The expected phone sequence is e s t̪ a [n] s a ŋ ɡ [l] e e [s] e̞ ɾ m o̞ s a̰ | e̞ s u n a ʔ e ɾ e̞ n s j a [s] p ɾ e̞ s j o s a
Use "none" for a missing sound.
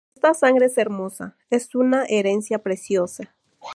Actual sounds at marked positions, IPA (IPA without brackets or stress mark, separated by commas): none, ɾ, s, none